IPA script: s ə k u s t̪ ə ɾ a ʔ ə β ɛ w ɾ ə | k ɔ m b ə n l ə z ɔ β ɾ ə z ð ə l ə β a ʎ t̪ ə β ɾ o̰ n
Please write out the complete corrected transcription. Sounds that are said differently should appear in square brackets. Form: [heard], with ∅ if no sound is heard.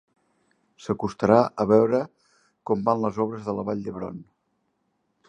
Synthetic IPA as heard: s ə k u s t̪ ə ɾ a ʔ ə β ɛ w ɾ ə | k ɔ m b [a] n l ə z ɔ β ɾ ə z ð ə l ə β a ʎ [d̪] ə β ɾ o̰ n

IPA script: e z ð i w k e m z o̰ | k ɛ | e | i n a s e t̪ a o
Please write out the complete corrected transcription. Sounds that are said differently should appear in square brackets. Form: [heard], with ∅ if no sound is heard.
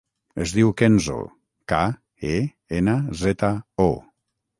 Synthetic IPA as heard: e z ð i w k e [n] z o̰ | k [a] | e | [e] n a [z] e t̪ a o

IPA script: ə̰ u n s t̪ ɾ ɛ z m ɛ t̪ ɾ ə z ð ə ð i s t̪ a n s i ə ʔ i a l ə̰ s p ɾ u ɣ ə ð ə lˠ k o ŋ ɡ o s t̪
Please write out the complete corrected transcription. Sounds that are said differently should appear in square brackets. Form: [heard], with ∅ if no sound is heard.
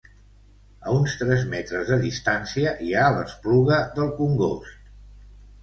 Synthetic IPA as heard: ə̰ u n s t̪ ɾ ɛ z m ɛ t̪ ɾ ə z ð ə ð i s t̪ a n s i ə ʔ i a l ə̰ s p [l] u ɣ ə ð ə lˠ k [u] ŋ ɡ o s t̪

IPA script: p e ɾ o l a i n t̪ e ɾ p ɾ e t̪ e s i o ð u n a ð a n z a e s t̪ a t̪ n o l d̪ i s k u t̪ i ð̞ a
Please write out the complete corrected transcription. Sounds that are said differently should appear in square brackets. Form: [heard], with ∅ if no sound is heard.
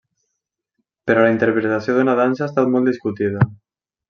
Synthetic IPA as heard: p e ɾ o l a i n t̪ e ɾ p ɾ e t̪ [a] s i o ð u n a ð a n [s] a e s t̪ a t̪ [m] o l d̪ i s k u t̪ i ð̞ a

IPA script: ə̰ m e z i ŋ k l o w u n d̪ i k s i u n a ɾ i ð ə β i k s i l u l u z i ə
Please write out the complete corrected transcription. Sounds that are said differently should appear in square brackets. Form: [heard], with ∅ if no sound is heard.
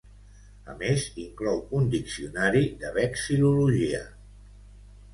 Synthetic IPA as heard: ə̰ m e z i ŋ k l [ɔ] w u n d̪ i k s i u n a ɾ i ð ə β [ɛ] k s i l u l u [ʒ] i ə

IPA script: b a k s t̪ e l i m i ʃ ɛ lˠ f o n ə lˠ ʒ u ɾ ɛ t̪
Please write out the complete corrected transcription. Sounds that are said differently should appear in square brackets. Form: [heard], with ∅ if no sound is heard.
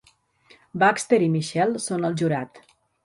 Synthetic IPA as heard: b a k s t̪ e [ɾ] i m i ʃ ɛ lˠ [s] o n ə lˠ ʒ u ɾ [a] t̪

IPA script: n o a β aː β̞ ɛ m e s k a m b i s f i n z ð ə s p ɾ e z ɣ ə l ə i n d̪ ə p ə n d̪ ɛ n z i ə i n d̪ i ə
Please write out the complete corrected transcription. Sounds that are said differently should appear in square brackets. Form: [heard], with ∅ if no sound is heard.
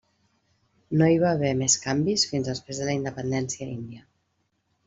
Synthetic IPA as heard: n o [i] β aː β̞ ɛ m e s k a m b i s f i n z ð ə s p ɾ e z [ð] ə l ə i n d̪ ə p ə n d̪ ɛ n [s] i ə i n d̪ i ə

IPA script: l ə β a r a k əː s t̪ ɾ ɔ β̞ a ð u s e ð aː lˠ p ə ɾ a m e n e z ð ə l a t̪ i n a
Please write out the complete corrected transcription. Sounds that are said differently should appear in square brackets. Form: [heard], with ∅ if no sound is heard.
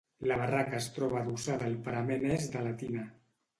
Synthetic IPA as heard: l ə β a r a k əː s t̪ ɾ ɔ β̞ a ð u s [a] ð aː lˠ p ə ɾ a m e n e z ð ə l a t̪ i n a

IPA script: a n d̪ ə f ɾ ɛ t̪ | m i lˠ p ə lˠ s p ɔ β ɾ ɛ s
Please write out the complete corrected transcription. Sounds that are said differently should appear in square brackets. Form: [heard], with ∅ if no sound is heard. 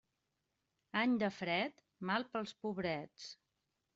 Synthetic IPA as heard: a [ɲ] d̪ ə f ɾ ɛ t̪ | m [a] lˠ p ə lˠ s p [u] β ɾ ɛ [t͡s]

